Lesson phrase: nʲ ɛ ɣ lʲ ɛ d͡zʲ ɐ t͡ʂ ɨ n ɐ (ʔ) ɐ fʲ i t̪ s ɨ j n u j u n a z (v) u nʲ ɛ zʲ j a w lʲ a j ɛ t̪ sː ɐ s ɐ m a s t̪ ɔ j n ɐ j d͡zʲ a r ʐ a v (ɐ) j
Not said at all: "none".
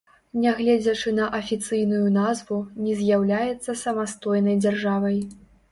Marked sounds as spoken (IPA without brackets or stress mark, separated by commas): ʔ, v, ɐ